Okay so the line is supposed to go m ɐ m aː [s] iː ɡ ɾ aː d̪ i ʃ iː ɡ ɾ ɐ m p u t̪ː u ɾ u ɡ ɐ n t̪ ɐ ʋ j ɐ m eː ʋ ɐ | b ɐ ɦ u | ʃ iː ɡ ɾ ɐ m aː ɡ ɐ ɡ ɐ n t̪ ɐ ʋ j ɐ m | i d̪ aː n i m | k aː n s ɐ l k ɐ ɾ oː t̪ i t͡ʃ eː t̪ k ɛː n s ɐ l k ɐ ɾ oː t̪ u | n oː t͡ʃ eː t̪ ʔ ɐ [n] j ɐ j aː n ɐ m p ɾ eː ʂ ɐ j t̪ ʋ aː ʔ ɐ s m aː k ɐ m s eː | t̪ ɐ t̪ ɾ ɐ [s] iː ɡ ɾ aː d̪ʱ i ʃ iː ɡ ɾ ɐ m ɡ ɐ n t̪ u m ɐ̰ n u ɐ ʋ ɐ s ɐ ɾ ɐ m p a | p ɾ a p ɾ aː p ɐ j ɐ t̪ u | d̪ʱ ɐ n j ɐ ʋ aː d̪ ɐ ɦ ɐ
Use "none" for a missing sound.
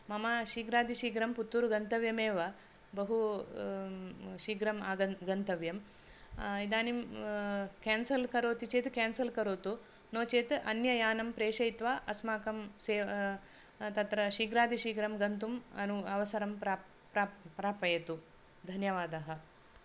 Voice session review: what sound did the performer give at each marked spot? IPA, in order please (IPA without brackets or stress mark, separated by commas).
ʃ, n, ʃ